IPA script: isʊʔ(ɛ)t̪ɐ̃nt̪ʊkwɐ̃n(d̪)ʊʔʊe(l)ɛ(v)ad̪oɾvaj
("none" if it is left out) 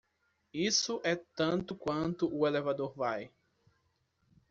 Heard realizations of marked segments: ɛ, t̪, l, v

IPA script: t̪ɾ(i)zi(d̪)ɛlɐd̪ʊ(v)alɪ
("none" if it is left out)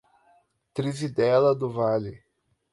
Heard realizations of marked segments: i, d̪, v

